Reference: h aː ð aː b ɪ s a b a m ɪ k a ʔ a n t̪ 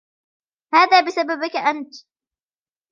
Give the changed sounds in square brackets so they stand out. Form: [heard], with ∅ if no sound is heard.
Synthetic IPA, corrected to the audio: h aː ð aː b ɪ s a b a [b] ɪ k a ʔ a n t̪